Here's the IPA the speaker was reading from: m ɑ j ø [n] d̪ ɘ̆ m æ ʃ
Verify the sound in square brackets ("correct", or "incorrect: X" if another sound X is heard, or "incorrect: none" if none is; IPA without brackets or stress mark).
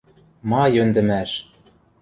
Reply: correct